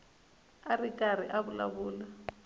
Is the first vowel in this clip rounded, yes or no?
no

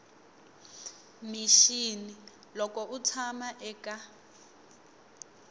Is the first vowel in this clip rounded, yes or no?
no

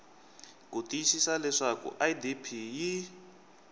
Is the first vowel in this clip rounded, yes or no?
yes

